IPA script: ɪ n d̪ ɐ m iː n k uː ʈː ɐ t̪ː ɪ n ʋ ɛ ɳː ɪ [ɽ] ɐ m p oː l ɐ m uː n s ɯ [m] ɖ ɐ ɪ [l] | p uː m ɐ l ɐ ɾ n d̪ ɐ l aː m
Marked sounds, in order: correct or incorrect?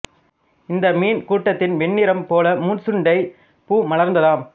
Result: incorrect: ɾ, incorrect: ɳ, incorrect: none

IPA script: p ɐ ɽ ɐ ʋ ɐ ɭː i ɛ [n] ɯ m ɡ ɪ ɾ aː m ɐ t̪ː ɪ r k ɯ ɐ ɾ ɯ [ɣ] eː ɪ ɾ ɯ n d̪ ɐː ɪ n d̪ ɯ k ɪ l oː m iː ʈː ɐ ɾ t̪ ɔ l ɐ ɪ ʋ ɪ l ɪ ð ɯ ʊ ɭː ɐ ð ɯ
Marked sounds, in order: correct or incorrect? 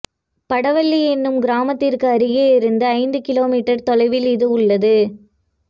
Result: incorrect: nː, correct

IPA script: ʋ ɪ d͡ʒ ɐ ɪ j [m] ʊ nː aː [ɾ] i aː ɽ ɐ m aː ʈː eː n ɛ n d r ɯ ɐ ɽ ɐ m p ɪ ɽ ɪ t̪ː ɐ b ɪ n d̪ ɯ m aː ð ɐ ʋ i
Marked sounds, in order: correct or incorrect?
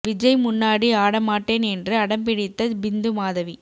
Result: correct, incorrect: ɽ

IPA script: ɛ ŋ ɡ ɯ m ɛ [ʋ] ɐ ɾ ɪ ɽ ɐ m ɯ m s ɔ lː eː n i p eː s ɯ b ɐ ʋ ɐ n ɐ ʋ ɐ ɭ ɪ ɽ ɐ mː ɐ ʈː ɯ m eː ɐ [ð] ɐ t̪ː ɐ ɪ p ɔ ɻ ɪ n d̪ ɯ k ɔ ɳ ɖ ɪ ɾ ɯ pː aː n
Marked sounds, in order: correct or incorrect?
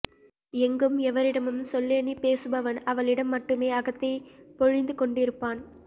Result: correct, incorrect: ɣ

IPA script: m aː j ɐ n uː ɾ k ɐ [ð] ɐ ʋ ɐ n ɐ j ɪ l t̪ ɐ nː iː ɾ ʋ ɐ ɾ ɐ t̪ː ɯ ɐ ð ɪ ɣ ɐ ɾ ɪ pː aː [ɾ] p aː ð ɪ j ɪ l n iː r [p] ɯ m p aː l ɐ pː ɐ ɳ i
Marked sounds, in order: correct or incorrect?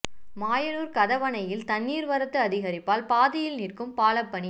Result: correct, incorrect: l, incorrect: k

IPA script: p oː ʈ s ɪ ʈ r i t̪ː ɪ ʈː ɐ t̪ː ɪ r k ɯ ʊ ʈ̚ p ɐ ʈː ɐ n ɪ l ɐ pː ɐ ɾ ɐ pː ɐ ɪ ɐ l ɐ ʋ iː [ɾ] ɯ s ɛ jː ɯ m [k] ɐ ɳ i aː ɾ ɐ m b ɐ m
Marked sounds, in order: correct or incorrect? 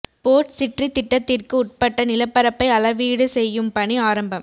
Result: incorrect: ɽ, incorrect: p

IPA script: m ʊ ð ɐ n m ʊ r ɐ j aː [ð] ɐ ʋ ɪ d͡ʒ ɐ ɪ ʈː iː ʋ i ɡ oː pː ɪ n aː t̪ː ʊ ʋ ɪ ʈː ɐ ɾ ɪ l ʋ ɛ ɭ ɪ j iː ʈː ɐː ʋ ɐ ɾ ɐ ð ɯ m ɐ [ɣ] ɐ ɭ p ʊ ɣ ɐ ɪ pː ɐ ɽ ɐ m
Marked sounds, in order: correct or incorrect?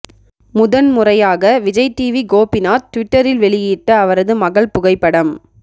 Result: incorrect: ɣ, correct

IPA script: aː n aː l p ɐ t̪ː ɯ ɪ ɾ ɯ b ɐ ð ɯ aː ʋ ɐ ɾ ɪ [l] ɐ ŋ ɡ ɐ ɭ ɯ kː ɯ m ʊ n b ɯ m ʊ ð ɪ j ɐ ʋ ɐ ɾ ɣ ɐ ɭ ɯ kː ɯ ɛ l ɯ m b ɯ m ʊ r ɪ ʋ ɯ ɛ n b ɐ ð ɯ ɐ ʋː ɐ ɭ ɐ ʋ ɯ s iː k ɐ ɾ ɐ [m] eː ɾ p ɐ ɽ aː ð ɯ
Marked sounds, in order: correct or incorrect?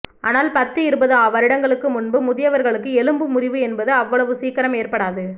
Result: incorrect: ɽ, correct

